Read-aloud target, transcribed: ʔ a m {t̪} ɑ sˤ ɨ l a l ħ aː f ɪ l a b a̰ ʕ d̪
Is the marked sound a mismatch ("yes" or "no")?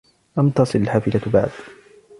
no